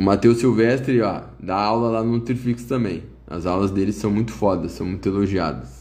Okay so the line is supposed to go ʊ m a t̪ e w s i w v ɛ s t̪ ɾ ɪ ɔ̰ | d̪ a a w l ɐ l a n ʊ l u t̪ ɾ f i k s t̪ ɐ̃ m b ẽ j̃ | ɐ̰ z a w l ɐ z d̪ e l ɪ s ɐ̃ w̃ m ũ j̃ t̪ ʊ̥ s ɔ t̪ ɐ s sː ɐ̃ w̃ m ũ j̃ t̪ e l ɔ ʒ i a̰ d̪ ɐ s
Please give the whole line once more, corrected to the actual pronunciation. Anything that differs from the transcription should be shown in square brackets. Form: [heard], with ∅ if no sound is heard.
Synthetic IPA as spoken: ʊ m a t̪ e w s i w v ɛ s t̪ ɾ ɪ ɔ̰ | d̪ a a w l ɐ l a n ʊ l u t̪ ɾ f i k s t̪ ɐ̃ m b ẽ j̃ | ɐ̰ z a w l ɐ z d̪ e l ɪ s ɐ̃ w̃ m ũ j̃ t̪ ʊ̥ [f] ɔ [d̪] ɐ s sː ɐ̃ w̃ m ũ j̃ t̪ e l [o] ʒ i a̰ d̪ ɐ s